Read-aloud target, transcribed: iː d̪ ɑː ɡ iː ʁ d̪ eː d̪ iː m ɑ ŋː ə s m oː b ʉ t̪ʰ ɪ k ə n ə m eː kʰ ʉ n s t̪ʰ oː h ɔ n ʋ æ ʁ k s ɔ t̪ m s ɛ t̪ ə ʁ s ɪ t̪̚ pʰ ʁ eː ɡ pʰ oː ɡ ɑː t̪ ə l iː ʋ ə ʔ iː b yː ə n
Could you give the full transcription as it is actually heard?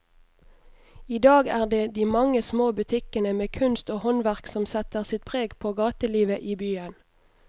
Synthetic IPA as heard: iː d̪ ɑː ɡ æː ʁ d̪ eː d̪ iː m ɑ ŋ ə s m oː b ʉ t̪ʰ ɪ k ə n ə m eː kʰ ʉ n s t̪ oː h ɔ n ʋ æ ʁ k s ɔ m s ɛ t̪ ə ʁ s ɪ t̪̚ pʰ ʁ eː ɡ pʰ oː ɡ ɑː t̪ ə l iː ʋ ə ʔ iː b yː ə n